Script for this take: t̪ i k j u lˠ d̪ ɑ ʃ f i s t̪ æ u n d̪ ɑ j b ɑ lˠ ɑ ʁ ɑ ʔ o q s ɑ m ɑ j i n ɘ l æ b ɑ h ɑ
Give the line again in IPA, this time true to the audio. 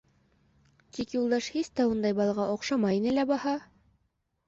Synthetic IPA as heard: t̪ i k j u lˠ d̪ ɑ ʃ h i s t̪ æ u n d̪ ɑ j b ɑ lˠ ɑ ʁ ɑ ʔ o q ʃ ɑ m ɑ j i n ɘ l æ b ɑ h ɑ